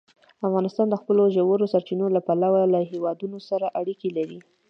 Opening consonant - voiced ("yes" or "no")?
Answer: no